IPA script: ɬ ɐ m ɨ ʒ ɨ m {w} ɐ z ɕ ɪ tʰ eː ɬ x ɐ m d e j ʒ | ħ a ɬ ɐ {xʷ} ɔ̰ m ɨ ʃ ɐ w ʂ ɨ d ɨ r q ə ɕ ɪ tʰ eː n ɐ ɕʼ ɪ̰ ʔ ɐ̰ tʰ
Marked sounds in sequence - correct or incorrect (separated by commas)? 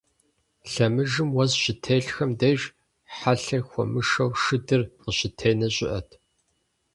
correct, correct